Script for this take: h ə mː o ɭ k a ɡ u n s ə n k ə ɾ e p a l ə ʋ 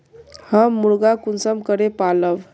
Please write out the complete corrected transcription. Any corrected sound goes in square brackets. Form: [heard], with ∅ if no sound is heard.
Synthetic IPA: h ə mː [u] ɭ [ɡ] a [k] u n s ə [m] k ə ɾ e p a l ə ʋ